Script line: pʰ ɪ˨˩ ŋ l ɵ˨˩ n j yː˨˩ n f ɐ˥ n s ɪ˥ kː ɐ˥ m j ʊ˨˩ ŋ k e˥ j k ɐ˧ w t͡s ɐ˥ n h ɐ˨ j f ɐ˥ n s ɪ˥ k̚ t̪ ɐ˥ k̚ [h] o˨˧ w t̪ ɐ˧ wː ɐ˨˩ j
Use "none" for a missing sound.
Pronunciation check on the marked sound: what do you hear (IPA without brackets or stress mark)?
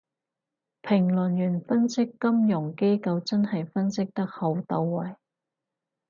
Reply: h